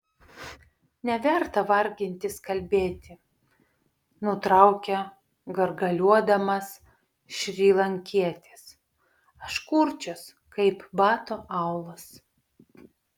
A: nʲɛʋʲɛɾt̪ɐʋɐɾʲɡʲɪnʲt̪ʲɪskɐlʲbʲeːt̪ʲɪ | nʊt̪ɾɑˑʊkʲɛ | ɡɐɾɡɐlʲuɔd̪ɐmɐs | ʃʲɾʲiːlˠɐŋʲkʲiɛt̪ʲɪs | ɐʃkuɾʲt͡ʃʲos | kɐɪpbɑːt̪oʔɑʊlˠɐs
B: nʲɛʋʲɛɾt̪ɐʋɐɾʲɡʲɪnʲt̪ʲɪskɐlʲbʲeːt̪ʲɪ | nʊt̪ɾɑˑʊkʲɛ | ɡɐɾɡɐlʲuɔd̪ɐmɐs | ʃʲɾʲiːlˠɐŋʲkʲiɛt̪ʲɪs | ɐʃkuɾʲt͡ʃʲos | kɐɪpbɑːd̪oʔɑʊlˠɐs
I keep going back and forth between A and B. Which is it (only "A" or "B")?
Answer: A